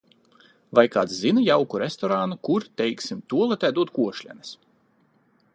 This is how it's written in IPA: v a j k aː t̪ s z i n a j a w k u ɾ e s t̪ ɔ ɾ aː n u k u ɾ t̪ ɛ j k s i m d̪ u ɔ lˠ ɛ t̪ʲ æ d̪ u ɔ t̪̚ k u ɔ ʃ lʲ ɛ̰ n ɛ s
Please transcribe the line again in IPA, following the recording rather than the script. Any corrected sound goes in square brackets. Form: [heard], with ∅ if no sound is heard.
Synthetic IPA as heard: v a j k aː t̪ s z i n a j a w k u ɾ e s t̪ ɔ ɾ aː n u k u ɾ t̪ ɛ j k s i m [t̪] u ɔ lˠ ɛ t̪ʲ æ d̪ u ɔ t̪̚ k u ɔ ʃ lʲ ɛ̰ n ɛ s